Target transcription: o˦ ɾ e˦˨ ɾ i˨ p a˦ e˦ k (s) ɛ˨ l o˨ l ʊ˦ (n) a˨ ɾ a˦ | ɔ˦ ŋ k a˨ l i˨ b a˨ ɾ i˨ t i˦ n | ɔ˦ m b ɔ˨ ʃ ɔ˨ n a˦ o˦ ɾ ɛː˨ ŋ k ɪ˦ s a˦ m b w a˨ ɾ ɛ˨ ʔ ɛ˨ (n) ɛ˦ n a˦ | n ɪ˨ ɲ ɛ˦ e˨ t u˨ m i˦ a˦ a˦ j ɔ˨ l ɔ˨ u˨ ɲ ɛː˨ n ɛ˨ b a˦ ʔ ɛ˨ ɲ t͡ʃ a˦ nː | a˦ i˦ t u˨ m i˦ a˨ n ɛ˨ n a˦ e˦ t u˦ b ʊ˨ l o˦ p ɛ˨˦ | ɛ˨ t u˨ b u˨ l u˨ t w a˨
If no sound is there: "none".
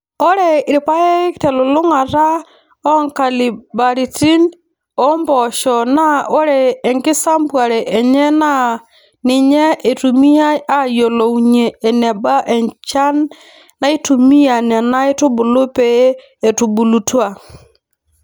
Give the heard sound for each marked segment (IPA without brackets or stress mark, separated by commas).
t, ŋ, ɲ